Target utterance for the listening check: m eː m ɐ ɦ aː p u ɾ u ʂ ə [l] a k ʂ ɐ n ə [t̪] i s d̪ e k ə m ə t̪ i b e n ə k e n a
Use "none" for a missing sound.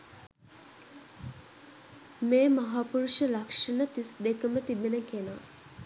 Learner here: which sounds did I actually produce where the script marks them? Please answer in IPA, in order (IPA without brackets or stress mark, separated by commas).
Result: l, t̪